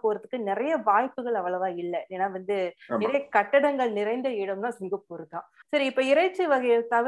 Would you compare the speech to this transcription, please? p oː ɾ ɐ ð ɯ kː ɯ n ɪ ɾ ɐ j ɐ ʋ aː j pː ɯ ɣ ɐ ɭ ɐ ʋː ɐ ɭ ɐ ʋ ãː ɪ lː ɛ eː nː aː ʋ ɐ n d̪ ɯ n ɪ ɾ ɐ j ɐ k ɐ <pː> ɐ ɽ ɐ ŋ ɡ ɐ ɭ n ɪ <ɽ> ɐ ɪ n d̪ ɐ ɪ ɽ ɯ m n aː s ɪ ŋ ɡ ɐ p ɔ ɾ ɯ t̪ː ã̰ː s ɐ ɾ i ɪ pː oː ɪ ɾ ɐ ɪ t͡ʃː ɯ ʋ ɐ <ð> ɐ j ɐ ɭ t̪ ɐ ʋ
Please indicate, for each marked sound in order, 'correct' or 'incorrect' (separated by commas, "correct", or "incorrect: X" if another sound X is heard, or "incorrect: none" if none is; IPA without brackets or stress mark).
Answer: incorrect: ʈː, incorrect: ɾ, incorrect: ɣ